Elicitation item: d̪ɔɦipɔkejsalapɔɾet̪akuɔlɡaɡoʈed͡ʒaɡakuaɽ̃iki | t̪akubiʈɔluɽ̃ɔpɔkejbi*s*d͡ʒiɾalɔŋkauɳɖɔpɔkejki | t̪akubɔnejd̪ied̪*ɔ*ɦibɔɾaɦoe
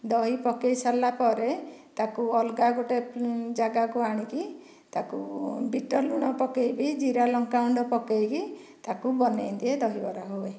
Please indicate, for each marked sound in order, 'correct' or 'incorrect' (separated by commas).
incorrect, correct